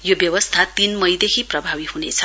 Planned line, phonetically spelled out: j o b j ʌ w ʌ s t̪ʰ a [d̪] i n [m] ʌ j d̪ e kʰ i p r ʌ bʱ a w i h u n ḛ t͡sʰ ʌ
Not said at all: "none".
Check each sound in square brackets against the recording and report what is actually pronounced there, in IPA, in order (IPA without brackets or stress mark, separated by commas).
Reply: t̪, m